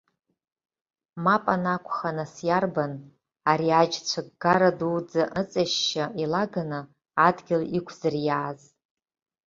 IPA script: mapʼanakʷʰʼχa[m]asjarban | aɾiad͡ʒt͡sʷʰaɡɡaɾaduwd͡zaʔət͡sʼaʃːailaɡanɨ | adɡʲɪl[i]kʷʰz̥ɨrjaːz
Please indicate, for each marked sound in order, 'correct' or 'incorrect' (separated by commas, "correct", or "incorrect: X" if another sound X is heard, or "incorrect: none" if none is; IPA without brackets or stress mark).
incorrect: n, correct